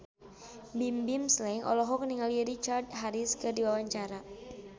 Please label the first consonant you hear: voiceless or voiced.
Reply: voiced